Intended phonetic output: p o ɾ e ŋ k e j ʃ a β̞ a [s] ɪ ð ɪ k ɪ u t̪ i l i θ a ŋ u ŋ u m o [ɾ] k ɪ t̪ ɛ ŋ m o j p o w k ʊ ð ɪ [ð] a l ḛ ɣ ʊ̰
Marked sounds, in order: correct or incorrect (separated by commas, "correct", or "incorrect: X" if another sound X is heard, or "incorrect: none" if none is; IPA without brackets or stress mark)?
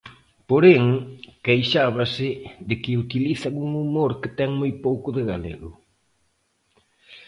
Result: correct, correct, incorrect: ɣ